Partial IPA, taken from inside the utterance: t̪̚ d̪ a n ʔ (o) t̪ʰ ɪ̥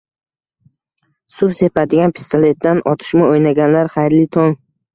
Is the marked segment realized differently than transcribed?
yes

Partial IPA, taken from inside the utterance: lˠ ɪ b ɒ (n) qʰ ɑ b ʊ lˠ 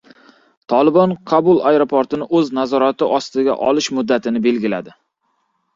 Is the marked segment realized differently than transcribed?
no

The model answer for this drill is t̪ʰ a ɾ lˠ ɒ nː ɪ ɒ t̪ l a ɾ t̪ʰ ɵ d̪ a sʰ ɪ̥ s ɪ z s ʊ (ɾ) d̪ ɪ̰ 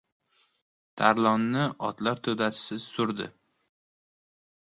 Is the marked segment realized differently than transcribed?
no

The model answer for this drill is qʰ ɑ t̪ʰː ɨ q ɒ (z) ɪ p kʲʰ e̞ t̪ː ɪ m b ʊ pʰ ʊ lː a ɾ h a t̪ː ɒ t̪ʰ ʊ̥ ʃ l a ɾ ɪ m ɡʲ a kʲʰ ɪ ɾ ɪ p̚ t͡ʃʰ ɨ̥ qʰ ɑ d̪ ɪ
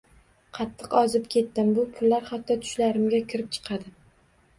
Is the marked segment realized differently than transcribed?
no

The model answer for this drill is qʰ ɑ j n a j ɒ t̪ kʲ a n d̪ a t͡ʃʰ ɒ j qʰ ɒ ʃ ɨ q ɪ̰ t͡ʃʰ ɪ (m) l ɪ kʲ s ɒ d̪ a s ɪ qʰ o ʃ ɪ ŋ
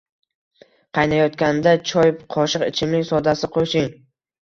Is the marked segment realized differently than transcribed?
no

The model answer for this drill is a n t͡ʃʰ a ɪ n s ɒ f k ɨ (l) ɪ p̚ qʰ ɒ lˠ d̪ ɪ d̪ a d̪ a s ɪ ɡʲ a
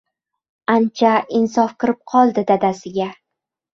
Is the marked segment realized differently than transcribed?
yes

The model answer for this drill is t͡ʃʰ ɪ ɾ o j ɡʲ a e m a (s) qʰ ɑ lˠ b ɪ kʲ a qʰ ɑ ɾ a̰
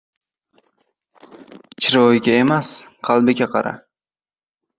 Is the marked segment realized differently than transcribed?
no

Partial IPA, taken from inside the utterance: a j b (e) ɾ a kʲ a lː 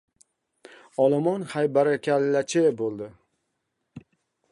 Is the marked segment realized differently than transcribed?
yes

